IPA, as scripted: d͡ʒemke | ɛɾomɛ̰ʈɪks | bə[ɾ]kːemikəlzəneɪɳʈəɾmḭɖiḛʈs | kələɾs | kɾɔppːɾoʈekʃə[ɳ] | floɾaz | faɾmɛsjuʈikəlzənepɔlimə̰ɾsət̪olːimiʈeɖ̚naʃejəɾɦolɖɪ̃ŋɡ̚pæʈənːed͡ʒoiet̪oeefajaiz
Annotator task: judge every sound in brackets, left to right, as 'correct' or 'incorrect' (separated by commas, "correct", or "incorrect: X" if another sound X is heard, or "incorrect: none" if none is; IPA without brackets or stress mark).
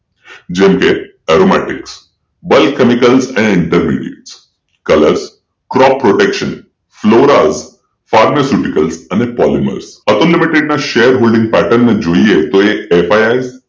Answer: incorrect: l, incorrect: n